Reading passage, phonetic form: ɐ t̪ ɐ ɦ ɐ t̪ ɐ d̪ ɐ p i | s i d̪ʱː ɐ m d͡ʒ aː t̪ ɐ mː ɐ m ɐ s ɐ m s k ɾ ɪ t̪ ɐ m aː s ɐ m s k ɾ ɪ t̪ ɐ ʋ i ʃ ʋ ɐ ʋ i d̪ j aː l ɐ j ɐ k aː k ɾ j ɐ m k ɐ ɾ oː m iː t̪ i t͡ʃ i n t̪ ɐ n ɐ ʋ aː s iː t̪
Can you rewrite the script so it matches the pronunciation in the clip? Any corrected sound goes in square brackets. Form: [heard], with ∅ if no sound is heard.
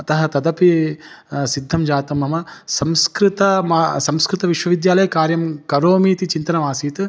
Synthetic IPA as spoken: ɐ t̪ ɐ ɦ ɐ t̪ ɐ d̪ ɐ p i | s i d̪ʱː ɐ m d͡ʒ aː t̪ ɐ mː ɐ m ɐ s ɐ m s k ɾ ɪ t̪ ɐ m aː s ɐ m s k ɾ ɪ t̪ ɐ ʋ i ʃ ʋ ɐ ʋ i d̪ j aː l ɐ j ɐ k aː [∅] ɾ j ɐ m k ɐ ɾ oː m iː t̪ i t͡ʃ i n t̪ ɐ n ɐ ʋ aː s iː t̪

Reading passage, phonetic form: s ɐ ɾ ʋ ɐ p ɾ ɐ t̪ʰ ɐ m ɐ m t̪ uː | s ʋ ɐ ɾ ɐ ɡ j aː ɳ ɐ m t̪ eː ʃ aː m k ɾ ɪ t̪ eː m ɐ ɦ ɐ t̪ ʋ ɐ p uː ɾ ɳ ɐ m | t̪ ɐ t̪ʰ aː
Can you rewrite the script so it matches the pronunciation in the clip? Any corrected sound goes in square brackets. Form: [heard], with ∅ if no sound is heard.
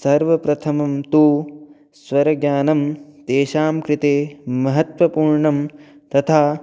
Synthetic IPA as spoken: s ɐ ɾ ʋ ɐ p ɾ ɐ t̪ʰ ɐ m ɐ m t̪ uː | s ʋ ɐ ɾ ɐ ɡ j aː [n] ɐ m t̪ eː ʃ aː m k ɾ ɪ t̪ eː m ɐ ɦ ɐ t̪ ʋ ɐ p uː ɾ ɳ ɐ m | t̪ ɐ t̪ʰ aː

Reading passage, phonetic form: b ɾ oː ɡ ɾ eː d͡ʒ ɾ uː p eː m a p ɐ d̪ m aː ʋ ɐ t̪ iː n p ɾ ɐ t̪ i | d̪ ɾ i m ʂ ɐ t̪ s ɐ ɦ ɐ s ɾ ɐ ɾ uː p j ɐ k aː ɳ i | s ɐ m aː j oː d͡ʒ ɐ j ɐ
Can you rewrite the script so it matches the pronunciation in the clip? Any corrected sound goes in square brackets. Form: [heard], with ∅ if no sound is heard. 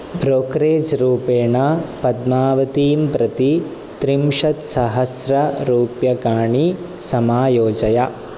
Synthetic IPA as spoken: b ɾ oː [k] ɾ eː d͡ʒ ɾ uː p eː [ɳ] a p ɐ d̪ m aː ʋ ɐ t̪ iː [m] p ɾ ɐ t̪ i | [t̪] ɾ i m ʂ ɐ t̪ s ɐ ɦ ɐ s ɾ ɐ ɾ uː p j ɐ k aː ɳ i | s ɐ m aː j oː d͡ʒ ɐ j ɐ

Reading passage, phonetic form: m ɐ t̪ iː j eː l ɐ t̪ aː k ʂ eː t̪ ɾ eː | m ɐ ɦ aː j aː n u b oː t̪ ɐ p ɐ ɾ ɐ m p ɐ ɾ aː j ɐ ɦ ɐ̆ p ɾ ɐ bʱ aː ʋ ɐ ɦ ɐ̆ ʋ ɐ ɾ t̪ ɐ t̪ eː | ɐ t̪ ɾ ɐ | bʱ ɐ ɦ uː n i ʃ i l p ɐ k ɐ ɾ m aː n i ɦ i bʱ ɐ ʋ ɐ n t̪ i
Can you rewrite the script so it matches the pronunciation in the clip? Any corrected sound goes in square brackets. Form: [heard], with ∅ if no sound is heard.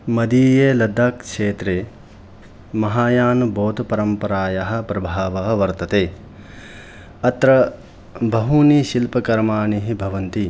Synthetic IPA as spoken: m ɐ [d̪] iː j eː l ɐ [d̪] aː k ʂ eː t̪ ɾ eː | m ɐ ɦ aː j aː n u b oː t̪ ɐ p ɐ ɾ ɐ m p ɐ ɾ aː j ɐ ɦ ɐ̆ p ɾ ɐ bʱ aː ʋ ɐ ɦ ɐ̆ ʋ ɐ ɾ t̪ ɐ t̪ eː | ɐ t̪ ɾ ɐ | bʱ ɐ ɦ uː n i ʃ i l p ɐ k ɐ ɾ m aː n i ɦ i bʱ ɐ ʋ ɐ n t̪ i

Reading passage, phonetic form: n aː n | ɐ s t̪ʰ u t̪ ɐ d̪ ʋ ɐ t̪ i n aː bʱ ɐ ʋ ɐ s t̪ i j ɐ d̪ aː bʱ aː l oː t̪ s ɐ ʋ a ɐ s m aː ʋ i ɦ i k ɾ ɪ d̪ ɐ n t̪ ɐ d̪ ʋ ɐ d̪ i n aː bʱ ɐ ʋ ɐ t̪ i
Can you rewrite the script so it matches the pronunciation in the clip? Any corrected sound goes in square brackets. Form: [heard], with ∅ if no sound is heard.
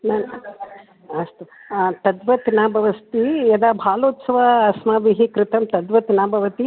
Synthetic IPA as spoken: n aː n | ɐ s [t̪] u t̪ ɐ d̪ ʋ ɐ t̪ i n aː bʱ ɐ ʋ ɐ s t̪ i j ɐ d̪ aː bʱ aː l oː t̪ s ɐ ʋ a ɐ s m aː ʋ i ɦ i k ɾ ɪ [t̪] ɐ [m] t̪ ɐ d̪ ʋ ɐ [t̪] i n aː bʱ ɐ ʋ ɐ t̪ i

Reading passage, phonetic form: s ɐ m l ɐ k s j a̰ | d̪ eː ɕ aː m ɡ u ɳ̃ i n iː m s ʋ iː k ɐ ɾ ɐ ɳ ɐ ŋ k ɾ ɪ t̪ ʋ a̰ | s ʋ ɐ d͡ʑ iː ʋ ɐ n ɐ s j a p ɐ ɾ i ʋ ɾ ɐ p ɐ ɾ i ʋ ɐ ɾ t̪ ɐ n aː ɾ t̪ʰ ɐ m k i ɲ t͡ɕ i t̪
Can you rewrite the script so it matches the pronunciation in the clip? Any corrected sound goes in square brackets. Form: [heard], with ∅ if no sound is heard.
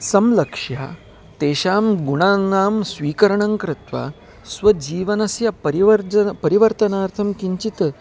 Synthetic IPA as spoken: s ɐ m l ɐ k [ʂ] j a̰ | [t̪] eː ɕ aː m ɡ u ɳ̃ [a] n [aː] m s ʋ iː k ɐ ɾ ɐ ɳ ɐ ŋ k ɾ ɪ t̪ ʋ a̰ | s ʋ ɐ d͡ʑ iː ʋ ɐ n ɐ s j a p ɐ ɾ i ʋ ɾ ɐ p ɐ ɾ i ʋ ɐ ɾ t̪ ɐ n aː ɾ t̪ʰ ɐ m k i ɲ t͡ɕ i t̪

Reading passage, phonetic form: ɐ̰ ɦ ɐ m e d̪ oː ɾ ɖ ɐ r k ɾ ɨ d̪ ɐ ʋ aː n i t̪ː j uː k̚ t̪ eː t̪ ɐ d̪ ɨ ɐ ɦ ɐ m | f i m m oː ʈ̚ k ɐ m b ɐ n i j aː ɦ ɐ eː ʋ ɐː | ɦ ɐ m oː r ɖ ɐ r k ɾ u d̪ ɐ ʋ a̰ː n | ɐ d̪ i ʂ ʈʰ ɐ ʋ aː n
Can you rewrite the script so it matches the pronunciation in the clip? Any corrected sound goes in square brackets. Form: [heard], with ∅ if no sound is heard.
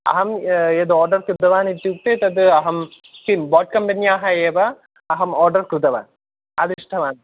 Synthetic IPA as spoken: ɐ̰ ɦ ɐ m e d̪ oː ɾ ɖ ɐ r k ɾ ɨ d̪ ɐ ʋ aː n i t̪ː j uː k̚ t̪ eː t̪ ɐ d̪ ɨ ɐ ɦ ɐ m | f i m [b] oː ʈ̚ k ɐ m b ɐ n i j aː ɦ ɐ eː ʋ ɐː | ɦ ɐ m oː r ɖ ɐ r k ɾ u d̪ ɐ ʋ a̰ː n | ɐ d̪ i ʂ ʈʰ ɐ ʋ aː n

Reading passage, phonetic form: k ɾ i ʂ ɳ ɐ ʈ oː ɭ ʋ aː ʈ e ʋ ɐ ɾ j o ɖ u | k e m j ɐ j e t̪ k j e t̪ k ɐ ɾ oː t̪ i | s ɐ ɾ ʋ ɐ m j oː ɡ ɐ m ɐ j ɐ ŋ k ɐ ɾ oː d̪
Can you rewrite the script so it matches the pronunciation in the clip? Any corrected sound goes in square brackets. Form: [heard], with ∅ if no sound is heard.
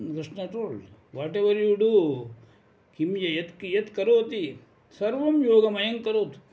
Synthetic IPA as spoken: k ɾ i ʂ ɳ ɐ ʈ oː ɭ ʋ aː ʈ e ʋ ɐ ɾ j [u] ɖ u | k [i] m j ɐ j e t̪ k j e t̪ k ɐ ɾ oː t̪ i | s ɐ ɾ ʋ ɐ m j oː ɡ ɐ m ɐ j ɐ ŋ k ɐ ɾ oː [t̪]

